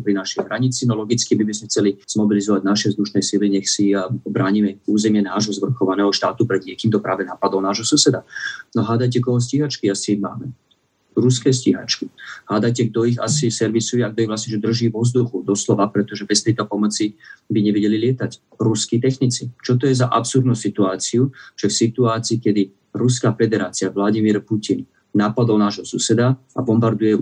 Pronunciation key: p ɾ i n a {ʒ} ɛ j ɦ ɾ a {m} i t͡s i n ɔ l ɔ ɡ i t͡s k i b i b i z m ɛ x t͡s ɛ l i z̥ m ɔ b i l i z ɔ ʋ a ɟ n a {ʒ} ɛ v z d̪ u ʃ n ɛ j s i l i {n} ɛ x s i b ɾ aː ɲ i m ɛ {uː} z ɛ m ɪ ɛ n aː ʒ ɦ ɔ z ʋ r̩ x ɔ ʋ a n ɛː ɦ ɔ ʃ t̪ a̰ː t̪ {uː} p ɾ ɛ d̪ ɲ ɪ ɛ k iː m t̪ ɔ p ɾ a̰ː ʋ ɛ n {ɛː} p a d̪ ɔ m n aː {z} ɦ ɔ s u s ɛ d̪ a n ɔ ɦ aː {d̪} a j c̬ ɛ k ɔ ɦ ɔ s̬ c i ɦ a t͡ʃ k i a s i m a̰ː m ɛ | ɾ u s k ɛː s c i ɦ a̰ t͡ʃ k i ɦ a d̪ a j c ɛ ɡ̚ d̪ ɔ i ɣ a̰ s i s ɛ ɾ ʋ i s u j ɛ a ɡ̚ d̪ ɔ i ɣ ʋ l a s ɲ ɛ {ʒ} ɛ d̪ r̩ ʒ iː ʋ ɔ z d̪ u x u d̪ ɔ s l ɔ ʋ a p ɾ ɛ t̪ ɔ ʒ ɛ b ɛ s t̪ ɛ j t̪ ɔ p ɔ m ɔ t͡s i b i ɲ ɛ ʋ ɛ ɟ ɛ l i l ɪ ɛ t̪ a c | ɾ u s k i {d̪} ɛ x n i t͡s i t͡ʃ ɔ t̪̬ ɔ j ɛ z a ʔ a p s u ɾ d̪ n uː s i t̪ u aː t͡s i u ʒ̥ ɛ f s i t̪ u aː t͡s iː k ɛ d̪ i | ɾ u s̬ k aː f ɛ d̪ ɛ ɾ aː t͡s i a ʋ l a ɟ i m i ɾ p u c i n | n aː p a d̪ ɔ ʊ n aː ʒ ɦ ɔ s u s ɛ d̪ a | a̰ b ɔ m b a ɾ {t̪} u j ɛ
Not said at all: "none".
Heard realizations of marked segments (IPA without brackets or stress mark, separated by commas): ʃ, ɲ, ʃ, ɲ, uː, u, aː, ʒ, d̪, ʒ, t̪, d̪